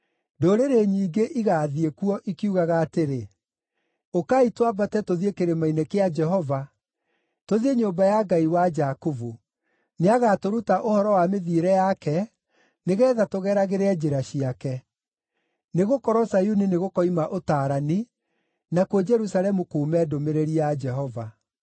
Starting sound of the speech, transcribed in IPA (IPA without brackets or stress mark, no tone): d